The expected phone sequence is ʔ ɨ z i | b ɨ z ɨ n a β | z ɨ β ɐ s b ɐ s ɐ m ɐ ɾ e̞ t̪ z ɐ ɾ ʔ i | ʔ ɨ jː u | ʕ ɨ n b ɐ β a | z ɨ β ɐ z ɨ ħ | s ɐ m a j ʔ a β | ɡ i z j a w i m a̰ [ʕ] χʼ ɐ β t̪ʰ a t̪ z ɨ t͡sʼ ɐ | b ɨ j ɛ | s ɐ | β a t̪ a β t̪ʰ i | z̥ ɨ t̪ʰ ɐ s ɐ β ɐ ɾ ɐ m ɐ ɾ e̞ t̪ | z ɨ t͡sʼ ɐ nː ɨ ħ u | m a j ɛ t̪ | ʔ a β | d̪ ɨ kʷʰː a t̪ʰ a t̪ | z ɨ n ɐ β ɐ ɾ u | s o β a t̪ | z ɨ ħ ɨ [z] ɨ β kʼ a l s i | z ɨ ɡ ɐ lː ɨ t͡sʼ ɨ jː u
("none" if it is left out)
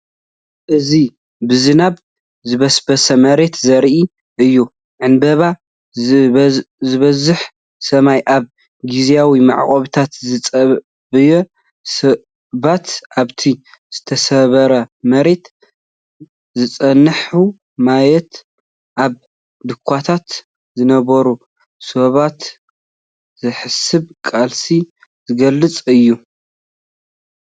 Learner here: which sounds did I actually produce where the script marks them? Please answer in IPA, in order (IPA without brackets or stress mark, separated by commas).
ʕ, s